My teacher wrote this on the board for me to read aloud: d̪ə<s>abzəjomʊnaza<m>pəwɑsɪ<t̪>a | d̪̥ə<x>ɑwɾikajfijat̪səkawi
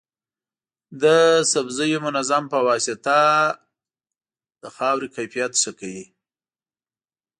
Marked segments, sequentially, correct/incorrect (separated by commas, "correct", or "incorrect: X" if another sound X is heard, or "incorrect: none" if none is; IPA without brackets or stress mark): correct, correct, correct, correct